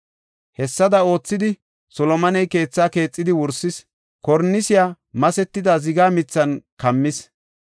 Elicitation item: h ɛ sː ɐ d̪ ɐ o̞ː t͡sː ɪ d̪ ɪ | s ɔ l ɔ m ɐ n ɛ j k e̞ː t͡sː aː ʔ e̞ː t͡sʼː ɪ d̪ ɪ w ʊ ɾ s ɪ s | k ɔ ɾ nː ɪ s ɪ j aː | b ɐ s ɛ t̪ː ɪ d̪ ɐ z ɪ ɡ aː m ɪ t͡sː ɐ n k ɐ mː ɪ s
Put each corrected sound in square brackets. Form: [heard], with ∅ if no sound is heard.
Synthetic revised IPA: h ɛ sː ɐ d̪ ɐ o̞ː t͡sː ɪ d̪ ɪ | s ɔ l ɔ m ɐ n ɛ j k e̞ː t͡sː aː [k] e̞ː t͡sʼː ɪ d̪ ɪ w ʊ ɾ s ɪ s | k ɔ ɾ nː ɪ s ɪ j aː | [m] ɐ s ɛ t̪ː ɪ d̪ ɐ z ɪ ɡ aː m ɪ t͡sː ɐ n k ɐ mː ɪ s